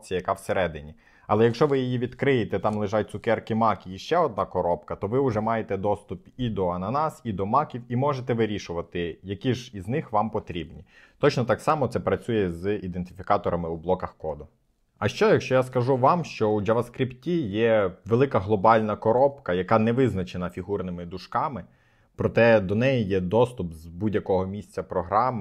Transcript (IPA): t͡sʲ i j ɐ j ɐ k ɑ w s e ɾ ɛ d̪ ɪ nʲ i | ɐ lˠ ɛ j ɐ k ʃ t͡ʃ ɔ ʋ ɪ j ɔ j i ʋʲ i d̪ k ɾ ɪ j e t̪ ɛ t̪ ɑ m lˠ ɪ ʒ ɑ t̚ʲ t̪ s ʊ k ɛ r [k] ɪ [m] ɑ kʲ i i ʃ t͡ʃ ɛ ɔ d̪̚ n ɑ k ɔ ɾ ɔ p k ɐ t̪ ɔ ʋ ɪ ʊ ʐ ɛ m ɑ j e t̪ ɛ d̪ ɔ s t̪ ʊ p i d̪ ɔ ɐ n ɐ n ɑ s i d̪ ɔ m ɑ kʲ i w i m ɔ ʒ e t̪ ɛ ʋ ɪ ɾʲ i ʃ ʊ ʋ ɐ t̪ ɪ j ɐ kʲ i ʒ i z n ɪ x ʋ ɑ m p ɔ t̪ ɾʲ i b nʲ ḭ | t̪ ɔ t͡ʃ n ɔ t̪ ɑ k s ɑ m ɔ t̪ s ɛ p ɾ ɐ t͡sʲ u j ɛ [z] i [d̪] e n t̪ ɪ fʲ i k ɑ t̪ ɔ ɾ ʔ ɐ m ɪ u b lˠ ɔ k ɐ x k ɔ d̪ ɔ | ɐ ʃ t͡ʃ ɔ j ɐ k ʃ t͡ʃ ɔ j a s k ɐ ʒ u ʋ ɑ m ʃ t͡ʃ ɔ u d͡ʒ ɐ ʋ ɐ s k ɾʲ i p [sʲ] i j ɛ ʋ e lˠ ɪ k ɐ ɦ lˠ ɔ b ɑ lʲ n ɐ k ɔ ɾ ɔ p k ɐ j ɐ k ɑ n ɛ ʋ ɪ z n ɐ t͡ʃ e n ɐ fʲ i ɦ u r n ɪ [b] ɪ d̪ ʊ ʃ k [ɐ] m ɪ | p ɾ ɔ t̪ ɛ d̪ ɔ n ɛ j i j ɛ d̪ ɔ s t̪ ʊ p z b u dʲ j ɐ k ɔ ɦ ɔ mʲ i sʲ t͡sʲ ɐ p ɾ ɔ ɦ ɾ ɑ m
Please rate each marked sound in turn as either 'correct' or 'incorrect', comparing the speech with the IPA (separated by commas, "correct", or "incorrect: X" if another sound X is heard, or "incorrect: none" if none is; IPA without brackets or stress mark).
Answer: correct, correct, correct, correct, incorrect: tʲ, incorrect: m, incorrect: ɑ